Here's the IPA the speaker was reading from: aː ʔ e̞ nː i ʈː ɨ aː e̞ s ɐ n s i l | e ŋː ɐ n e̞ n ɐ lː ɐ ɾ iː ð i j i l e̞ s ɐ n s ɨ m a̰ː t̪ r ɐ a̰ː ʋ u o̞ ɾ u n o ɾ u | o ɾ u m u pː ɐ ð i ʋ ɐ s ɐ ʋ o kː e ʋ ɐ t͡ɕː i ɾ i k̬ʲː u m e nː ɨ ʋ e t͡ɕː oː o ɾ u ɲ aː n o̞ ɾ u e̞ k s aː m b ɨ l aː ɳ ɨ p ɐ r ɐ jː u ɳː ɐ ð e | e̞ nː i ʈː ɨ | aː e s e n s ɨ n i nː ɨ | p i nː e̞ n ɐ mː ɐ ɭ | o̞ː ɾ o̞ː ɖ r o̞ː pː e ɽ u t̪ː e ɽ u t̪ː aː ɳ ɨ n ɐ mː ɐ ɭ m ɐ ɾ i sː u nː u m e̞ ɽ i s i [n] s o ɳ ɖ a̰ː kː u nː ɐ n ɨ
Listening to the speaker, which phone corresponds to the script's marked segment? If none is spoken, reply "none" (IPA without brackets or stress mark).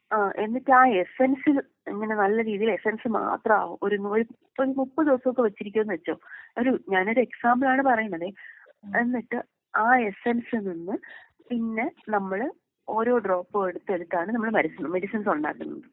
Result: n